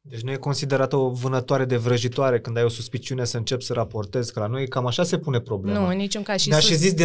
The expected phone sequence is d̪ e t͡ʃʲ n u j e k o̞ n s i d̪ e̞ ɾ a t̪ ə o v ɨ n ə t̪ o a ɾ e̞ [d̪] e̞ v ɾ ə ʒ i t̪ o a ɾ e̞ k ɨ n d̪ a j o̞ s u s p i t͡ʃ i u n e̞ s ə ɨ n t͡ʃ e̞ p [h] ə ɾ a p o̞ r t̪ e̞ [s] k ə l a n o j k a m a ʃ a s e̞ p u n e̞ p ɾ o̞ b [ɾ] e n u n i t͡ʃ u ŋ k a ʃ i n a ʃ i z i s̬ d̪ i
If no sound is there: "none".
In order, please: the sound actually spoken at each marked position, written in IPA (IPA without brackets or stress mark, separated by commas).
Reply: d̪, s, z, l